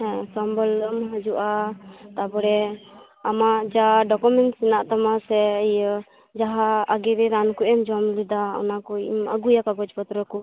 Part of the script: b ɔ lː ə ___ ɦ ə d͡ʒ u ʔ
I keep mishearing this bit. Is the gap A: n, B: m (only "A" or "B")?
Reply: B